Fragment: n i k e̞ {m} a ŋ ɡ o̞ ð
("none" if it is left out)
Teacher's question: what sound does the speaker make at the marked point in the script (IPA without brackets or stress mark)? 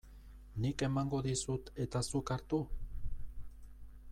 m